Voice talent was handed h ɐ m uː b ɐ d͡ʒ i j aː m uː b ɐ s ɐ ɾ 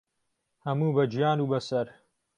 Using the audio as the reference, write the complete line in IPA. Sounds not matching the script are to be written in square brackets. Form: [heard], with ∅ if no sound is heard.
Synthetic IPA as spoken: h ɐ m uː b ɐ d͡ʒ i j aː [n] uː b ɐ s ɐ ɾ